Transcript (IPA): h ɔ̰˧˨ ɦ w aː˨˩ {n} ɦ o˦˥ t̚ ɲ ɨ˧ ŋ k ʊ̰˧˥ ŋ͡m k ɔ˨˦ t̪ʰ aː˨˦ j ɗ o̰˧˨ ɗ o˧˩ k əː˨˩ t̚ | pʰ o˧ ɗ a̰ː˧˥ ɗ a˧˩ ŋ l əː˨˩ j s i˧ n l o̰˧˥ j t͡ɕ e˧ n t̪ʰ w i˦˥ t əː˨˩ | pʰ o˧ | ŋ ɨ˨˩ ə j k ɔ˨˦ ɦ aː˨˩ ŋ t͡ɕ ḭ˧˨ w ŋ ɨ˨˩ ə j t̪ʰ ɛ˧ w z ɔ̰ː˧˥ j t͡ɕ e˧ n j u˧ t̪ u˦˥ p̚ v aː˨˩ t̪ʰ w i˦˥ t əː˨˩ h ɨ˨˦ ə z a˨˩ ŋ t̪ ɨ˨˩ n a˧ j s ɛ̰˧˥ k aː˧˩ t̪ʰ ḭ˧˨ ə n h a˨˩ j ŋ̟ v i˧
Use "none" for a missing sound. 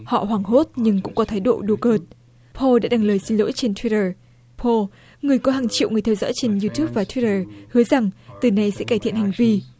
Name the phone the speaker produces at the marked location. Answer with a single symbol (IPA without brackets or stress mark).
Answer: ŋ